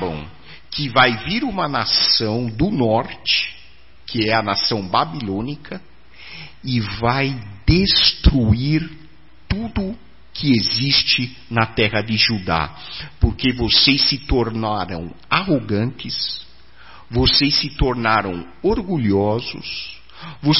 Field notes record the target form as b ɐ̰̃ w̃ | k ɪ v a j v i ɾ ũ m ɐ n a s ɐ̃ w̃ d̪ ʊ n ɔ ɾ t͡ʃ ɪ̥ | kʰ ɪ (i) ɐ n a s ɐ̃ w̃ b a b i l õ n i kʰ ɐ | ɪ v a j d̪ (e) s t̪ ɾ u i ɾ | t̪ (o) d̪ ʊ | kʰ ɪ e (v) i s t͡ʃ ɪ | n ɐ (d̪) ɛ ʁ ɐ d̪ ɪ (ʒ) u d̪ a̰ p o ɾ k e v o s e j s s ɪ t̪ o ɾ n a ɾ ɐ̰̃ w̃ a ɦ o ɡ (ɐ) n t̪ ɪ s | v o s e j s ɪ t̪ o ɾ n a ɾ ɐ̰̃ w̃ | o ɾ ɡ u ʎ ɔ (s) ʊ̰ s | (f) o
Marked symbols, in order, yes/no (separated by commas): no, yes, no, no, no, yes, no, no, no